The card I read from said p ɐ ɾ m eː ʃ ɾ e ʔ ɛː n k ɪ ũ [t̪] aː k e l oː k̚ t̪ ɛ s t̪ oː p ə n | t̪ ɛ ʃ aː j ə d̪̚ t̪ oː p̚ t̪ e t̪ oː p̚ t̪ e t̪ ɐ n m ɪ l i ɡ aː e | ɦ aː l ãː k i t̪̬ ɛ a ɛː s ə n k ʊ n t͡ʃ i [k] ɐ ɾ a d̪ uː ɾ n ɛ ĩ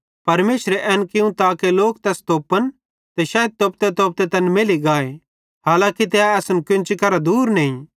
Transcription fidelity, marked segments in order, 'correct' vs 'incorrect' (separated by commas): correct, correct